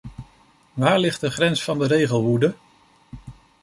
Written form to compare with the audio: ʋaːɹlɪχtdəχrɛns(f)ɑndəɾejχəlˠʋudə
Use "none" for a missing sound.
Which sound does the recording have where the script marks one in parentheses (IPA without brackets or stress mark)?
f